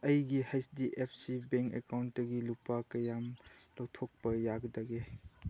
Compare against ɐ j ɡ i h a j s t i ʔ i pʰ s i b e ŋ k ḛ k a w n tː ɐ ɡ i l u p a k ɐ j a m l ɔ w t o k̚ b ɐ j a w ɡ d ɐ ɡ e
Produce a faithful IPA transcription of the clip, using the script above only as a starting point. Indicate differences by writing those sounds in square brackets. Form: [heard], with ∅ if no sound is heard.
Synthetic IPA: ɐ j ɡ i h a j s [d] i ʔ [e] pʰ s i b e ŋ k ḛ k a w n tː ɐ ɡ i l u p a k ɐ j a m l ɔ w [tʰ] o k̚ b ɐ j a [∅] ɡ d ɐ ɡ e